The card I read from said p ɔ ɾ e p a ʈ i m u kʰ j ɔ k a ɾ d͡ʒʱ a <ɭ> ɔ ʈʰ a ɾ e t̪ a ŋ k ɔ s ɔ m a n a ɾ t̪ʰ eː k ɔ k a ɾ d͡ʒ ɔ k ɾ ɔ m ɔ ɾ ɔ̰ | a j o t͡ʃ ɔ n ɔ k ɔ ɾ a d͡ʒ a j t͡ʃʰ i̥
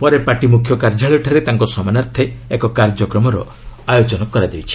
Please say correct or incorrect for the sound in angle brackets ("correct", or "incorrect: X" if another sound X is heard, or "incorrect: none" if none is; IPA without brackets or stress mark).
correct